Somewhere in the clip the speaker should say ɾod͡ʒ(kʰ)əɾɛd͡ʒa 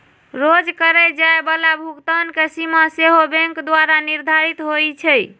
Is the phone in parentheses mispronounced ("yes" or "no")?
yes